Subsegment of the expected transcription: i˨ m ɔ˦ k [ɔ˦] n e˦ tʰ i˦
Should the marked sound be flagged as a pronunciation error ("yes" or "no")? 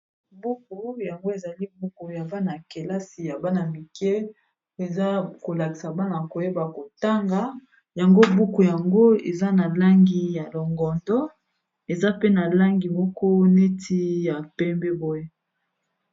no